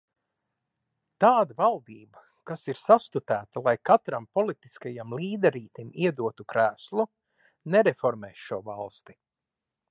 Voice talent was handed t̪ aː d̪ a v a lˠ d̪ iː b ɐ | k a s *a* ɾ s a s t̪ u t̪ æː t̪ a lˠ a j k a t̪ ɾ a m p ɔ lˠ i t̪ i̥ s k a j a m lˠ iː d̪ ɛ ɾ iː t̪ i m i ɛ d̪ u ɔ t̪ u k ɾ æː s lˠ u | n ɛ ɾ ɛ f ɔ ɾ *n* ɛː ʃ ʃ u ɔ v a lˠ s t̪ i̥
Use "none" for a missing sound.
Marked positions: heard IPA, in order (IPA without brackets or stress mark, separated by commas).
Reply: i, m